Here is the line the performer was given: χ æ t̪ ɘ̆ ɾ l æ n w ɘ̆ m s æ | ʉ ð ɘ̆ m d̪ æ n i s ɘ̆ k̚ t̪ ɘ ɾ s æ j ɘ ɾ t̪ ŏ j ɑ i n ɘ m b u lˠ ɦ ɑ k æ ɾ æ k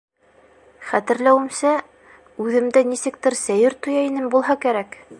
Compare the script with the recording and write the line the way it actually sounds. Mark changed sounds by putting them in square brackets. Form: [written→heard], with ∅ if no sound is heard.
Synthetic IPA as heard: χ æ t̪ ɘ̆ ɾ l æ [n→∅] w ɘ̆ m s æ | ʉ ð ɘ̆ m d̪ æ n i s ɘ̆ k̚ t̪ ɘ ɾ s æ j ɘ ɾ t̪ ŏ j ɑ i n ɘ m b u lˠ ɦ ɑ k æ ɾ æ k